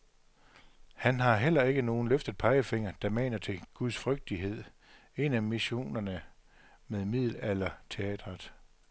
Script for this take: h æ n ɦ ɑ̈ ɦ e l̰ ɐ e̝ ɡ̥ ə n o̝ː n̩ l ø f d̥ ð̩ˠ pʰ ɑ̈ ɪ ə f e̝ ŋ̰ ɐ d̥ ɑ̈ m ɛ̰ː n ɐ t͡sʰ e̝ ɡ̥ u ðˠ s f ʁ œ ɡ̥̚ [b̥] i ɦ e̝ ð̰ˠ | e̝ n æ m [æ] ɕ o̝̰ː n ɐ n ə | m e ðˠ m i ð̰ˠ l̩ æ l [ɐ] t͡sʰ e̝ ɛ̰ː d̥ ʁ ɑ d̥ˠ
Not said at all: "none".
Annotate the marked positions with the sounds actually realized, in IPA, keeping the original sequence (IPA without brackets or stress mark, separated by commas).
d̥, i, ɐ